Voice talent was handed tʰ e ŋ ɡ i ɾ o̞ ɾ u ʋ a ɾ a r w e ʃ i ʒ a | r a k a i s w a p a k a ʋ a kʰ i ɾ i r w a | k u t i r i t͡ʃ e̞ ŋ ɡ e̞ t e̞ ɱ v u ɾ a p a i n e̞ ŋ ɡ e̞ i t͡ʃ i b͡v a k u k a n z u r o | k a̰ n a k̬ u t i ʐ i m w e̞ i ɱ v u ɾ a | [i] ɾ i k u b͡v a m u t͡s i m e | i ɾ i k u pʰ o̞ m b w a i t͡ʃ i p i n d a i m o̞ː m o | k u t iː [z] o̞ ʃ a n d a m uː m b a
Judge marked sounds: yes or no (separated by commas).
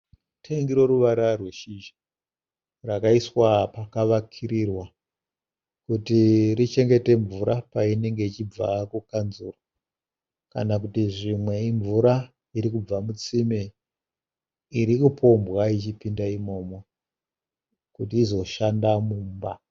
yes, yes